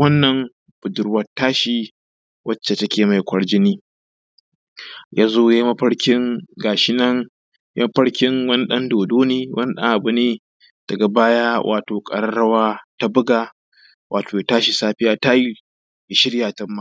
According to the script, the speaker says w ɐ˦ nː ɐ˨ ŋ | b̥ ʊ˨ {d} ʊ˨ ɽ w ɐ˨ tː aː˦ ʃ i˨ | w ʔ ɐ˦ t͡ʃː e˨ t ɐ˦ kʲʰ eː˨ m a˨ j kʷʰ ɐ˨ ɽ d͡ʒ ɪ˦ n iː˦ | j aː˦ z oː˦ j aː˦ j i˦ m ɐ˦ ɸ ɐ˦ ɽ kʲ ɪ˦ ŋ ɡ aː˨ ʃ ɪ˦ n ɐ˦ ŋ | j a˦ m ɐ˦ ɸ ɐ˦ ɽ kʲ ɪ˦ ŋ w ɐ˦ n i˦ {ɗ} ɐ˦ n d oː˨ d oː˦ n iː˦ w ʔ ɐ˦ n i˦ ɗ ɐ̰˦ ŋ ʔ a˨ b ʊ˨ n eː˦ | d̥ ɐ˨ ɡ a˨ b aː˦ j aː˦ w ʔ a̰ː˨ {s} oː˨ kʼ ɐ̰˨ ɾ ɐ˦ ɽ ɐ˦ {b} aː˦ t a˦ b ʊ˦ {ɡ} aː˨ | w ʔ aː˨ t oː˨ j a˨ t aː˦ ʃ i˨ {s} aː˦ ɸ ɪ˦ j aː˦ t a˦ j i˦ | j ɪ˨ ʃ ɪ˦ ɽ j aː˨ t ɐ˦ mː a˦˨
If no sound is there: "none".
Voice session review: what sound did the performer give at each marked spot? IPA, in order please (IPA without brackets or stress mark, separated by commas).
d, ɗ, t, w, ɡ, s